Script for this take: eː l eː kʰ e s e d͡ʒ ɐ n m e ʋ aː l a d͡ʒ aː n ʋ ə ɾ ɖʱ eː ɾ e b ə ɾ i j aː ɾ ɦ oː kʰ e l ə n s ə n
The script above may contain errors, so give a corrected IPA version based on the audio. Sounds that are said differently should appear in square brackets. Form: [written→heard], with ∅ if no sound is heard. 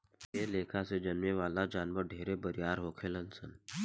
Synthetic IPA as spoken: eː l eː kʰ [e→a] s e d͡ʒ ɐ n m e ʋ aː l a d͡ʒ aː n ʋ ə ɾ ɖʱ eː ɾ e b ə ɾ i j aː ɾ ɦ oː kʰ e l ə n s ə n

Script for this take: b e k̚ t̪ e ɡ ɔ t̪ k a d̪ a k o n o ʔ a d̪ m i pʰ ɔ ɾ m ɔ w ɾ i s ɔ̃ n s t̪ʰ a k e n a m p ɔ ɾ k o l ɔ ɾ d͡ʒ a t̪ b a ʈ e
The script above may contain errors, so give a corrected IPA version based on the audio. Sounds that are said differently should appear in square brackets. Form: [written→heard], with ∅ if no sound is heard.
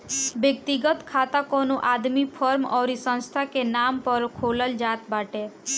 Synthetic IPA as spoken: b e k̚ t̪ [e→i] ɡ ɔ t̪ [k→kʰ] a [d̪→t̪] a k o n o ʔ a d̪ m i pʰ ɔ ɾ m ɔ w ɾ i s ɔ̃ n s t̪ʰ a k e n a m p ɔ ɾ [k→kʰ] o l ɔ [ɾ→l] d͡ʒ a t̪ b a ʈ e

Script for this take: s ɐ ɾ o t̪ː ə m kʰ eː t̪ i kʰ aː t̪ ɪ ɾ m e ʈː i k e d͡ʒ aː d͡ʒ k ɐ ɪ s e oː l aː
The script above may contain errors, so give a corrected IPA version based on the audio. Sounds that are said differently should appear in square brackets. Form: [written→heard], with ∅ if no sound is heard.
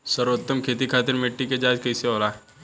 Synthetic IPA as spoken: s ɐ ɾ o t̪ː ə m kʰ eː t̪ i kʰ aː t̪ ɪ ɾ m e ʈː i k e d͡ʒ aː d͡ʒ k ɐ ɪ s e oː l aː

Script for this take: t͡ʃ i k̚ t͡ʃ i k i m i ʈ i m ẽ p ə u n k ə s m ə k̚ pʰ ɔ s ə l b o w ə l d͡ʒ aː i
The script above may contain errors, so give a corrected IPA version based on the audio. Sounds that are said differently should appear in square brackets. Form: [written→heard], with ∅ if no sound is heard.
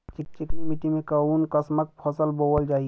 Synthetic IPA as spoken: t͡ʃ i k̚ t͡ʃ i k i m i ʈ i m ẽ [p→k] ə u n k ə s m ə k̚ pʰ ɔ s ə l b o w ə l d͡ʒ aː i

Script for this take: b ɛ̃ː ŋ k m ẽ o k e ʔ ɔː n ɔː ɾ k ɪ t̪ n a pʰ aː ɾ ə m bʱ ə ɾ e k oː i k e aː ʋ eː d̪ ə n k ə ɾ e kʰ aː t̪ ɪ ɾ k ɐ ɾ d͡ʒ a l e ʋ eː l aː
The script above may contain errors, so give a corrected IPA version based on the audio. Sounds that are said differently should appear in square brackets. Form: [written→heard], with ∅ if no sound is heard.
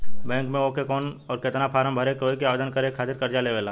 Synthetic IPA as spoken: b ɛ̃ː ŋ k m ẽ o k e [ʔ→k] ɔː n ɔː ɾ k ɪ t̪ n a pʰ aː ɾ ə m bʱ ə ɾ e k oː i k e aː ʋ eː d̪ ə n k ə ɾ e kʰ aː t̪ ɪ ɾ k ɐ ɾ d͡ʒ a l e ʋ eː l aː

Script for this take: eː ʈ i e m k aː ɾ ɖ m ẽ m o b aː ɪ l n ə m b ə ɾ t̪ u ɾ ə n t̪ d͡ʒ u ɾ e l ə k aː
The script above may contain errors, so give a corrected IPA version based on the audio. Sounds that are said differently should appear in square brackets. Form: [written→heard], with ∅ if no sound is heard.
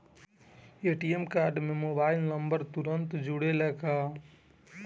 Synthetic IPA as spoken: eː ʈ i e m k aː ɾ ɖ m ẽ m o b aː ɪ l n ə m b ə ɾ t̪ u ɾ ə n t̪ d͡ʒ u [ɾ→ɽ] e l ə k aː

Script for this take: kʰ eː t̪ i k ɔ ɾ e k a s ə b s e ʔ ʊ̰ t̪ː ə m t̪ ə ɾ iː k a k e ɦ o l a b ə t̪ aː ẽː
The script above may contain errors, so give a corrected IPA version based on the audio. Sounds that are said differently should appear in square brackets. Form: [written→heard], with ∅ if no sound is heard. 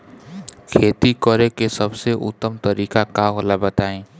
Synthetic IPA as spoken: kʰ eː t̪ i k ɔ ɾ e k [a→e] s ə b s e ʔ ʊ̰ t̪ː ə m t̪ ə ɾ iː k a k [e→a] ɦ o l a b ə t̪ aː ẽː

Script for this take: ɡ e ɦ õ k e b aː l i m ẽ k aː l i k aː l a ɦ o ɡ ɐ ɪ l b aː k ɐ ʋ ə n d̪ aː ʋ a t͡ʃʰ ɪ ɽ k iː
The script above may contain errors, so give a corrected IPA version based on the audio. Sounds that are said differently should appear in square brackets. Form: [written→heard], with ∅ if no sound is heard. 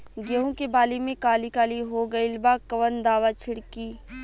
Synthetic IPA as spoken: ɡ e ɦ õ k e b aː l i m ẽ k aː l i k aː l [a→i] ɦ o ɡ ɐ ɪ l b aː k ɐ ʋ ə n d̪ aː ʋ a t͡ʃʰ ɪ ɽ k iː

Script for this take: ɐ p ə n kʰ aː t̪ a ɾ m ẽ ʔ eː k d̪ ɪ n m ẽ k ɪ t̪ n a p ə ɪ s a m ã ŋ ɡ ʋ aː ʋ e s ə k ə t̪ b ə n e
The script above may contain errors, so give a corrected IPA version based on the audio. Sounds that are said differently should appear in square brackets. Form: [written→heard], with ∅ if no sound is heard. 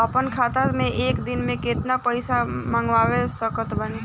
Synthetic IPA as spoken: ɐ p ə n kʰ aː t̪ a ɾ m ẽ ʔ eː k d̪ ɪ n m ẽ k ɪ t̪ n a p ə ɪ s a m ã ŋ ɡ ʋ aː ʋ e s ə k ə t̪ b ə n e

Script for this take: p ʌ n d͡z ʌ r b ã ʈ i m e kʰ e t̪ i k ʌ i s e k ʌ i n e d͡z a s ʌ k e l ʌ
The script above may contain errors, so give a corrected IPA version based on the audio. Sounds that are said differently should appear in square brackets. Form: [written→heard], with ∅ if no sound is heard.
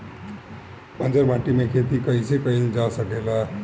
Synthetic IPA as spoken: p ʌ n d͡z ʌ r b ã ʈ i m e kʰ e t̪ i k ʌ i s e k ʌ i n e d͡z a s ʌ k e l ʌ

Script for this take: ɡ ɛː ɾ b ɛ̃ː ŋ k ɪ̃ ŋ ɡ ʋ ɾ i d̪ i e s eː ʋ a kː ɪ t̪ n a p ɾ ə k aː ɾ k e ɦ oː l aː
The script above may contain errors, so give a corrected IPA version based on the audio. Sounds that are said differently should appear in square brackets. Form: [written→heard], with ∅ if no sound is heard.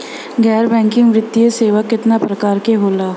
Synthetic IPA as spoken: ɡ ɛː ɾ b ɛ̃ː ŋ k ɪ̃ ŋ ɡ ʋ ɾ [i→ɪ] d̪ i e s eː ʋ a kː ɪ t̪ n a p ɾ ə k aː ɾ k e ɦ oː l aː

